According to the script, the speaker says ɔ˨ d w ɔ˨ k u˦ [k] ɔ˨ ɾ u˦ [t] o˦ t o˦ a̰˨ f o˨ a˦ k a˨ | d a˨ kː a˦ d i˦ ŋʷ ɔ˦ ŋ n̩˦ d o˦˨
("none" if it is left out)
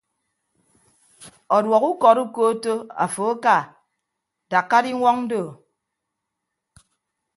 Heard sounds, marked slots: k, k

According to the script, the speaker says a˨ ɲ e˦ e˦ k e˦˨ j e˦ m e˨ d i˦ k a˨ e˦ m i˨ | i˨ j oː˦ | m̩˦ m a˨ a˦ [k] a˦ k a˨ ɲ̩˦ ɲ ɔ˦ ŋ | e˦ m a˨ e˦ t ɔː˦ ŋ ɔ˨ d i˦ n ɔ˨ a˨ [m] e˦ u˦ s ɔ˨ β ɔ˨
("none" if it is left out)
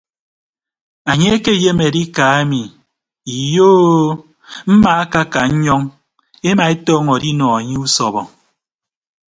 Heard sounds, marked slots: k, ɲ

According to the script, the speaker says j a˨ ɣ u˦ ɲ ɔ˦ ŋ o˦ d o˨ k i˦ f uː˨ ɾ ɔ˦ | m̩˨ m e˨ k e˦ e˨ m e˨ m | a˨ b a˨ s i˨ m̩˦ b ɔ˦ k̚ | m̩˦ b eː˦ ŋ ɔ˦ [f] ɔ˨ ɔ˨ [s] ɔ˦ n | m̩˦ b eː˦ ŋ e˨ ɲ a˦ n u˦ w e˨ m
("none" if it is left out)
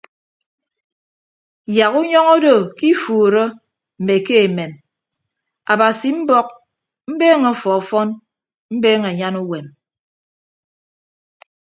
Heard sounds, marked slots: f, f

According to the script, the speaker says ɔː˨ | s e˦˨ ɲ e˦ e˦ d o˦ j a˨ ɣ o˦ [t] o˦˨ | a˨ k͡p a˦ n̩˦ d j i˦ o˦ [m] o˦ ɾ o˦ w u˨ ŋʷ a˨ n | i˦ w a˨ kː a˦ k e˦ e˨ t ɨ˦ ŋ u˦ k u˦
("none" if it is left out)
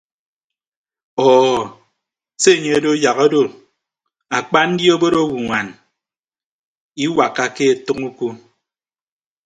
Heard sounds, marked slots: d, b

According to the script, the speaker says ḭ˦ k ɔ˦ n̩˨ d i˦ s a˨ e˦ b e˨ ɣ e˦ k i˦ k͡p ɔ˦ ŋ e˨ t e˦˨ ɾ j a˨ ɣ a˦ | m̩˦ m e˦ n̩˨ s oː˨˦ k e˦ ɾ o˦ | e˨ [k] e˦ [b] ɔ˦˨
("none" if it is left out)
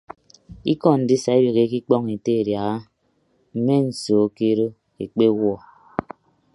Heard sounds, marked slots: k͡p, w

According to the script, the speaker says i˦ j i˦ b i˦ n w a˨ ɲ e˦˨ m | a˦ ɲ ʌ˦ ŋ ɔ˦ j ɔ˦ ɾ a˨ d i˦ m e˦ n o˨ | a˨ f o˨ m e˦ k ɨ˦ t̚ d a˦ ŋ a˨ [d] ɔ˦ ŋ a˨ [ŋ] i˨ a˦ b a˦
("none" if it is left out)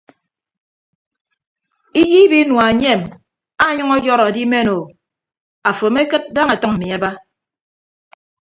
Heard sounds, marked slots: t, m

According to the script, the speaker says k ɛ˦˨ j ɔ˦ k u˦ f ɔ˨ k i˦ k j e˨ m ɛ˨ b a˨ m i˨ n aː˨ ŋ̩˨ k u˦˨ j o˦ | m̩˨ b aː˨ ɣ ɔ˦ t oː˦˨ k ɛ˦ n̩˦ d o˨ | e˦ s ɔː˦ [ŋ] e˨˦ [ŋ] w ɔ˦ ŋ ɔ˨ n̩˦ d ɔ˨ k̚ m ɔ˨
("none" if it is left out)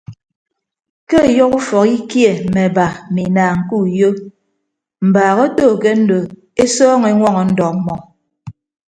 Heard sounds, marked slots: ŋ, ŋ

